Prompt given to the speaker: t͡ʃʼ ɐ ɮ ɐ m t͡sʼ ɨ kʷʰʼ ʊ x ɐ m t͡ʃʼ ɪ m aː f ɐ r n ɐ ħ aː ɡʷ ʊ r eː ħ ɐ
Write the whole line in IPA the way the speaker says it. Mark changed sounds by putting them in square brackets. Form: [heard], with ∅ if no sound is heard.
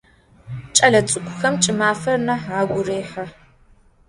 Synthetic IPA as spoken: t͡ʃʼ ɐ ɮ ɐ [∅] t͡sʼ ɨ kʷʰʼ ʊ x ɐ m t͡ʃʼ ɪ m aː f ɐ r n ɐ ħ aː ɡʷ ʊ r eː ħ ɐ